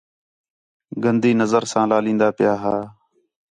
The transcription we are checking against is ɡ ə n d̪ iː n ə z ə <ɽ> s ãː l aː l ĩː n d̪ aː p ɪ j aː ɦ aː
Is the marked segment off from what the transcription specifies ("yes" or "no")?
yes